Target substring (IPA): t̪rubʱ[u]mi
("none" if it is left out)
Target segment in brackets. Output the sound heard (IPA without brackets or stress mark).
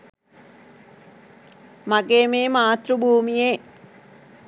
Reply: uː